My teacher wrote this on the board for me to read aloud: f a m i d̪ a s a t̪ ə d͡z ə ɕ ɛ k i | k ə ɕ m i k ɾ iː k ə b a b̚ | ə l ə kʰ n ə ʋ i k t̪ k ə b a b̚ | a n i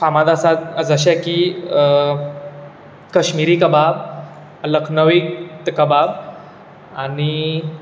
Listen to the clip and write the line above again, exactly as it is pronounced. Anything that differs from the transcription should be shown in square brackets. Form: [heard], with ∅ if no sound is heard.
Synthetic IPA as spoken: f a m [a] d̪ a s a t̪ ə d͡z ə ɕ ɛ k i | k ə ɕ m i [∅] ɾ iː k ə b a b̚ | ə l ə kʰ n ə ʋ i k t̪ k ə b a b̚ | a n i